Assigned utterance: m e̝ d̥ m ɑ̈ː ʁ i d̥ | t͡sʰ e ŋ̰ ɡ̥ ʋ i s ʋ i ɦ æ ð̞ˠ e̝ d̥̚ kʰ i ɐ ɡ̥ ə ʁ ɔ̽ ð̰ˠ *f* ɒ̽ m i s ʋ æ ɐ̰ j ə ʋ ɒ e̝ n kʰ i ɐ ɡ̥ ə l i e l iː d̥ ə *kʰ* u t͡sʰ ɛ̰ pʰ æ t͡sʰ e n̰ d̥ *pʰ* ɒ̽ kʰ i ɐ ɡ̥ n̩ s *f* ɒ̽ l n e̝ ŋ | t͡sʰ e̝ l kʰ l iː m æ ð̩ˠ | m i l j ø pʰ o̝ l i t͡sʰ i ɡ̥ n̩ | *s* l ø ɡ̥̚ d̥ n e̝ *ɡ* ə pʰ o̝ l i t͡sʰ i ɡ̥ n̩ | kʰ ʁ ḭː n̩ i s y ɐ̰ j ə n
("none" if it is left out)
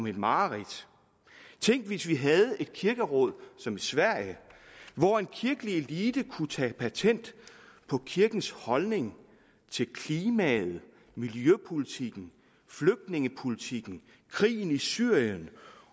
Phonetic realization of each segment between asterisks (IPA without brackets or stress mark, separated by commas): s, kʰ, pʰ, h, f, ŋ